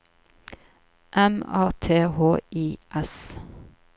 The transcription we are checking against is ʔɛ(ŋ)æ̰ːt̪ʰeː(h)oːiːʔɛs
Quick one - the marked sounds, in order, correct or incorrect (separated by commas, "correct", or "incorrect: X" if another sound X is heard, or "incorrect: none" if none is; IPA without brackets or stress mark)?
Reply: incorrect: m, correct